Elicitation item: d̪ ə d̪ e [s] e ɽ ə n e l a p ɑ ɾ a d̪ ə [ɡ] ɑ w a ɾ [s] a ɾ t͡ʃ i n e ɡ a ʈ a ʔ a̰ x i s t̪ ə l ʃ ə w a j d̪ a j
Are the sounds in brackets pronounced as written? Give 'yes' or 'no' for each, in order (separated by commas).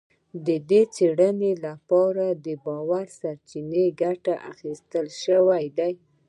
no, no, yes